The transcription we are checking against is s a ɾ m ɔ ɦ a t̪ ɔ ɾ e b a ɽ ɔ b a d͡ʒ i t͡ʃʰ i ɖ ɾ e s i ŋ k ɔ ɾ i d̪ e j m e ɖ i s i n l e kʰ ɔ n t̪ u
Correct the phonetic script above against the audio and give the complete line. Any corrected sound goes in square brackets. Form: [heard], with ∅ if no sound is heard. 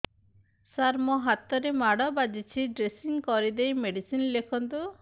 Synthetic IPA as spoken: s a ɾ m ɔ ɦ a t̪ ɔ ɾ e [m] a ɽ ɔ b a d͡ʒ i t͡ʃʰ i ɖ ɾ e s i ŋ k ɔ ɾ i d̪ e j m e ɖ i s i n l e kʰ ɔ n t̪ u